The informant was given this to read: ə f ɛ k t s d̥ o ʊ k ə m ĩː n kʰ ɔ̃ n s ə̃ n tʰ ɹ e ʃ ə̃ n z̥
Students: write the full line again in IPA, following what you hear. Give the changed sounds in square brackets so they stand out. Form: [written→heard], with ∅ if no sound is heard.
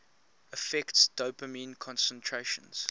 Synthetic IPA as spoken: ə f ɛ k t s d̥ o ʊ [k→p] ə m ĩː n kʰ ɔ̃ n s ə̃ n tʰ ɹ e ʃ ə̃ n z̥